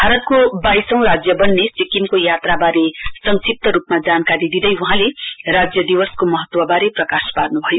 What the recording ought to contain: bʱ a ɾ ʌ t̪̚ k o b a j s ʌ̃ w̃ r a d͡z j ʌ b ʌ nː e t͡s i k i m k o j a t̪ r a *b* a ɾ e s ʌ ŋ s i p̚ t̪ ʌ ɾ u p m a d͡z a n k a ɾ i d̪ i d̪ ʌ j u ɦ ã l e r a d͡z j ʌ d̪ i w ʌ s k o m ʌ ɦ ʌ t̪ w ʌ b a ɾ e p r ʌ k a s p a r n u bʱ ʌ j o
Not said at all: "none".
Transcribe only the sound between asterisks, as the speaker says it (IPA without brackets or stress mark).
b